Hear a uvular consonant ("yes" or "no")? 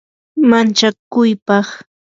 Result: yes